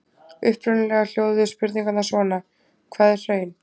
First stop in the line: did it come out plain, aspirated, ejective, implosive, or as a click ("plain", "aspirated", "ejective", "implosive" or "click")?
plain